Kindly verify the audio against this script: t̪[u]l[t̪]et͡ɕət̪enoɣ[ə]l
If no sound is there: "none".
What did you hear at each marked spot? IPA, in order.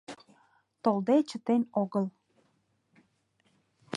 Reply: o, d̪, ə

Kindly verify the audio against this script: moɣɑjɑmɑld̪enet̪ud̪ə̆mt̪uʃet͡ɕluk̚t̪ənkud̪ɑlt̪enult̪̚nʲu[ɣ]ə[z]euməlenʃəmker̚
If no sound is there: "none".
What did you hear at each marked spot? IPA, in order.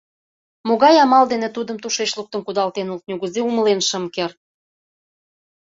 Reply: ɣ, z

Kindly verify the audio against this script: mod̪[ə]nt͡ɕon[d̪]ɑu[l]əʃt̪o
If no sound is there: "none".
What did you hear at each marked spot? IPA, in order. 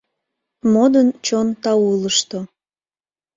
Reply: ə, t̪, l

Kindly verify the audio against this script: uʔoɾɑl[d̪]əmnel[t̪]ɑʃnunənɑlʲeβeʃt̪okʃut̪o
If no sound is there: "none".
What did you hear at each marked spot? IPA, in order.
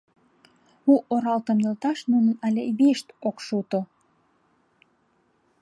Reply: t̪, t̪

